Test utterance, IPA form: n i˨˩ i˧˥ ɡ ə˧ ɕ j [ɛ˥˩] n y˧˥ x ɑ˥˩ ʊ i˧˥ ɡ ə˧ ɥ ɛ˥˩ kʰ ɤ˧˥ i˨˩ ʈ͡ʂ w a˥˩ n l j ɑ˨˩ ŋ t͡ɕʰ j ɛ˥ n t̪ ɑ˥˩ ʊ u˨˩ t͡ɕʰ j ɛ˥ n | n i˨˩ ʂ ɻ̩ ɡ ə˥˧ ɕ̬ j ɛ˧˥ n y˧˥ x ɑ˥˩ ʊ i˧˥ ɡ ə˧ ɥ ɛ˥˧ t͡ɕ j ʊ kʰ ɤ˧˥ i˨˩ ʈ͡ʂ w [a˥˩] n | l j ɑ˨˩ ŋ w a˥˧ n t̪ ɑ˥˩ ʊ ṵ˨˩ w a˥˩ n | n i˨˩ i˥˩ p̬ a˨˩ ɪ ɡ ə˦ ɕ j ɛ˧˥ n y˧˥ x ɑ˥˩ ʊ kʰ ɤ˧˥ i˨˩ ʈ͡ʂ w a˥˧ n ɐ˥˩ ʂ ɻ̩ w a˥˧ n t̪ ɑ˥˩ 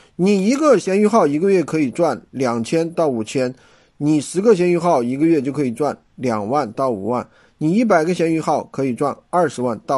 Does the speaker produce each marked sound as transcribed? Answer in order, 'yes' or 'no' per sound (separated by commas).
no, yes